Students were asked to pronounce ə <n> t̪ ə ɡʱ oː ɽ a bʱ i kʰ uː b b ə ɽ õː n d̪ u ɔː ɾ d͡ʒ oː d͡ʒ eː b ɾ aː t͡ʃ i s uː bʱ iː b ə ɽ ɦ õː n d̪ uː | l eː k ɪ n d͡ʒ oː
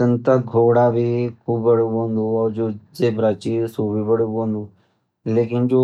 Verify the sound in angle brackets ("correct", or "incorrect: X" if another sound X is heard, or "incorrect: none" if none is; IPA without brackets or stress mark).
correct